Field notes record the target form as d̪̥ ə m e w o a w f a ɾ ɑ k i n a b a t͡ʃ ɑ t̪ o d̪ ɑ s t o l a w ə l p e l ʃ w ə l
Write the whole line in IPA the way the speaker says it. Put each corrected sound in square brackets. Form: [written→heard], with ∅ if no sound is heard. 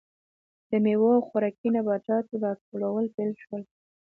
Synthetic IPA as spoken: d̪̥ ə m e w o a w [f→x] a ɾ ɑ k i n a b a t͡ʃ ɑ t̪ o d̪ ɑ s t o l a w ə l p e l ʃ w ə l